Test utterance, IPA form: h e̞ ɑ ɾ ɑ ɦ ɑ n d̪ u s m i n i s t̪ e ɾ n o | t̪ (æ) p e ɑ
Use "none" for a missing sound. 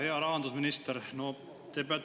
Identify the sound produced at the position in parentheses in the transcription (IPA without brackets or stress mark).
e